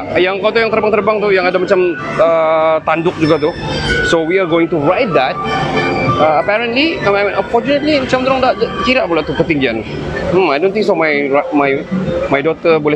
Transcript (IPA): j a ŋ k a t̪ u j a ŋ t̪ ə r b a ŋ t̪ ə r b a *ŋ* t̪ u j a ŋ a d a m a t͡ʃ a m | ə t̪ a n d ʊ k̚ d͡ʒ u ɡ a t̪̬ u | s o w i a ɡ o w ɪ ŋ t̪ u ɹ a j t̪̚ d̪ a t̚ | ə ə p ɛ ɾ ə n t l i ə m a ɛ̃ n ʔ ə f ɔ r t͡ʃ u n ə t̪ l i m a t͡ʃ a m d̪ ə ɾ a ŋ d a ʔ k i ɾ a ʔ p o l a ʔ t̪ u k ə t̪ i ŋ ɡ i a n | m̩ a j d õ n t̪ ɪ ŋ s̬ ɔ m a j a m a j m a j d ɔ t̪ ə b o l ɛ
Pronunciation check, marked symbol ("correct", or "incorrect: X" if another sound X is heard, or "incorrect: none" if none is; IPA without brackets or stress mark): correct